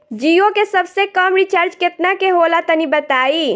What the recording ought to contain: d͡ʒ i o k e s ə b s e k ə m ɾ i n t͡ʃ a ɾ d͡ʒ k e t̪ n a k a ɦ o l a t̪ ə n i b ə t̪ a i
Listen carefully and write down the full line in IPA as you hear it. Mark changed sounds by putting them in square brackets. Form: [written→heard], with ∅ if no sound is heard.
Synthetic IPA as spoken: d͡ʒ i o k e s ə b s e k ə m ɾ i [n→∅] t͡ʃ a ɾ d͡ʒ k e t̪ n a k [a→e] ɦ o l a t̪ ə n i b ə t̪ a i